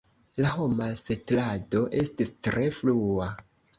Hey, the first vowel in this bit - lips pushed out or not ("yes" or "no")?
no